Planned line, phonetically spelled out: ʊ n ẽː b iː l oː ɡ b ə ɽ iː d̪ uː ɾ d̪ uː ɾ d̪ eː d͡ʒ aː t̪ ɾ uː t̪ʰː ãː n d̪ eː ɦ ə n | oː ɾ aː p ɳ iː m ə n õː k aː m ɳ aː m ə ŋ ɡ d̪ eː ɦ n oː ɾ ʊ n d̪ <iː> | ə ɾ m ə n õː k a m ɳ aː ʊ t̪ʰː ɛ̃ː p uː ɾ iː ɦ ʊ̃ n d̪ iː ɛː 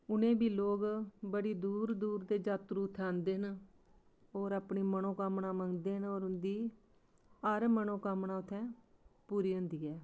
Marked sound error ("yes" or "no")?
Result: no